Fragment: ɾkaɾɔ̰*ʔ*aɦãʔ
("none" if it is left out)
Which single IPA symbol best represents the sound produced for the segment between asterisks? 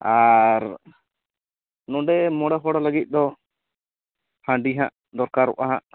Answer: ʔ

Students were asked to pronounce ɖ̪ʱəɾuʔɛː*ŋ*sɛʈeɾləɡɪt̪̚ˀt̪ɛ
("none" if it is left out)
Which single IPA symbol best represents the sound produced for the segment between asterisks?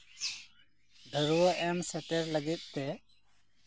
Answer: m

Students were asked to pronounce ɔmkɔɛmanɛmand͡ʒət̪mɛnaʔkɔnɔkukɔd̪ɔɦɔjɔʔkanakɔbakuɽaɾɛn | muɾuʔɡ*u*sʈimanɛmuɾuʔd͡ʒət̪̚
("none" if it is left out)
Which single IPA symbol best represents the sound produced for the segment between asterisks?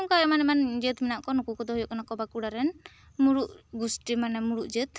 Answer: u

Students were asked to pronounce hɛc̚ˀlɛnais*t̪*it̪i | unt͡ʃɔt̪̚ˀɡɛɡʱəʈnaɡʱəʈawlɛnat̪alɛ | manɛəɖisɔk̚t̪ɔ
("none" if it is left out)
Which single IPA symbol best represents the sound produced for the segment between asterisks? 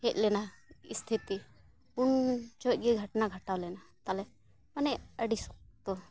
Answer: t̪ʰ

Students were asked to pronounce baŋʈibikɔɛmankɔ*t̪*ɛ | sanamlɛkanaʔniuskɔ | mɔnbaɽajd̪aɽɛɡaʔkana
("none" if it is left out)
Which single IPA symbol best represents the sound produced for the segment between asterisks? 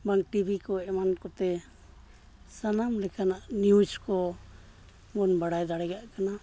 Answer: t̪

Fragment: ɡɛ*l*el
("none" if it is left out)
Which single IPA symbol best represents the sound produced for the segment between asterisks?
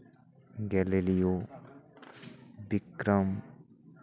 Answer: l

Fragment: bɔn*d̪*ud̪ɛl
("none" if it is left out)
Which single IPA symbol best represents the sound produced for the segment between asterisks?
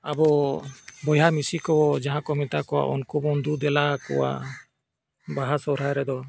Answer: d̪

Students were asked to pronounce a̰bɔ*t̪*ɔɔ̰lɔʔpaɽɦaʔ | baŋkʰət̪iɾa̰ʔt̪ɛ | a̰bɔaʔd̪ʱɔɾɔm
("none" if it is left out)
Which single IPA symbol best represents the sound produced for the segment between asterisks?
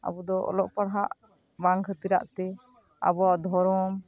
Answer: d̪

